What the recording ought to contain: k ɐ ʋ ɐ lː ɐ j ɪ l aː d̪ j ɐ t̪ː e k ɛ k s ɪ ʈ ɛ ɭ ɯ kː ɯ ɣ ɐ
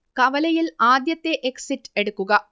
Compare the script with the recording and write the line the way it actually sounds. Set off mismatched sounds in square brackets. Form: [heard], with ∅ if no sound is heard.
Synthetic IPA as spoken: k ɐ ʋ ɐ [l] ɐ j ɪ l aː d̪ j ɐ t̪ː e [ʔ] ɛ k s ɪ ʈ ɛ [ɽ] ɯ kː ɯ ɣ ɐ